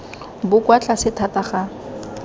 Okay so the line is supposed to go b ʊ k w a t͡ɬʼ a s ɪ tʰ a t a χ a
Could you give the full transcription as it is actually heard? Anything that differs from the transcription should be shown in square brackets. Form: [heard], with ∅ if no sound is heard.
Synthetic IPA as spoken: b ʊ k w a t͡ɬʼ a s ɪ tʰ a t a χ a